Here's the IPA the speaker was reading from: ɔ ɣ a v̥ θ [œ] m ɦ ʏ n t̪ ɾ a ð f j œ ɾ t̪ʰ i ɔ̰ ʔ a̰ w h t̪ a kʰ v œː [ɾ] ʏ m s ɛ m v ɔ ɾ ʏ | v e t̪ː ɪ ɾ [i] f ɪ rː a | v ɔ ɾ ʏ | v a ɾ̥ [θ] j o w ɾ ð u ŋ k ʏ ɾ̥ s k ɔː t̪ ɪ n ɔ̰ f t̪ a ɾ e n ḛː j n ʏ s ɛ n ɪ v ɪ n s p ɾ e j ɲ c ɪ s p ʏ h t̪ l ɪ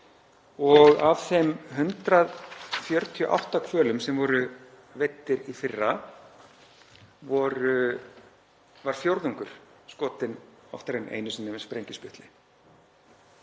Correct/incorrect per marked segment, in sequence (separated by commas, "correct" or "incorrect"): incorrect, incorrect, correct, incorrect